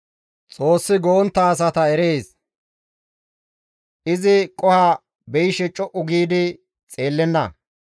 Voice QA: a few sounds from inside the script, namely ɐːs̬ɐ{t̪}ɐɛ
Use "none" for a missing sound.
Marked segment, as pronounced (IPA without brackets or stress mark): t̪